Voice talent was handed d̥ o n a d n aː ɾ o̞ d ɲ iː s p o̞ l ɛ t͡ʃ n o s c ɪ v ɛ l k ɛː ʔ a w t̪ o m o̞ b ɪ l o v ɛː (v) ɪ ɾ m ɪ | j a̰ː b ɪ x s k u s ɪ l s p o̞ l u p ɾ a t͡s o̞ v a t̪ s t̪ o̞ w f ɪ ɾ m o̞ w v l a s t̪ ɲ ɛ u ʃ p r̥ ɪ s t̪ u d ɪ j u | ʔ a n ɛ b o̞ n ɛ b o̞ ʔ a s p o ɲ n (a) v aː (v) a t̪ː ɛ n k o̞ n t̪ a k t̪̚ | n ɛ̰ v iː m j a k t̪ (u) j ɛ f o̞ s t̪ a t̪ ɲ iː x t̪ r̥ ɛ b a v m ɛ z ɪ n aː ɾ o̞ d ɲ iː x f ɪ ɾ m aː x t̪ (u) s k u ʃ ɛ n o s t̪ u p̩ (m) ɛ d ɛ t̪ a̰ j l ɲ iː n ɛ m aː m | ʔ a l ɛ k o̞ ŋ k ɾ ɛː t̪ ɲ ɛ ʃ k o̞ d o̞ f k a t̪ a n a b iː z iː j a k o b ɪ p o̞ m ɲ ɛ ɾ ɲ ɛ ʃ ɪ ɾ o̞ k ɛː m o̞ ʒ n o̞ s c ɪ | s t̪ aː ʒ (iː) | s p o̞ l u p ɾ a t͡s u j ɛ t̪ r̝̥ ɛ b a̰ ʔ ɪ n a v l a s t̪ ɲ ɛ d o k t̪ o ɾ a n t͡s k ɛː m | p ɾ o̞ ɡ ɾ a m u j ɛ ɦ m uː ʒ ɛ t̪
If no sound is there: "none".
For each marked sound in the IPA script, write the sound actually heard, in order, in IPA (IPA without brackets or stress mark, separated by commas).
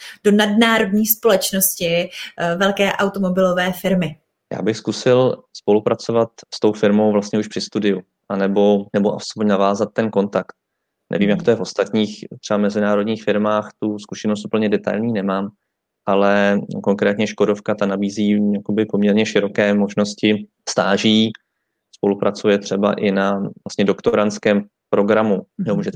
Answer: f, a, z, o, u, ɲ, iː